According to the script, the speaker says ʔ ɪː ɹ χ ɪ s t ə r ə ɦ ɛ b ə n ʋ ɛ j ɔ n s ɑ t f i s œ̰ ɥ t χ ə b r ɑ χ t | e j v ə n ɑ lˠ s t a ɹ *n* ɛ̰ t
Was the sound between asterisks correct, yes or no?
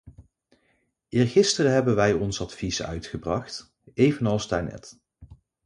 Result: yes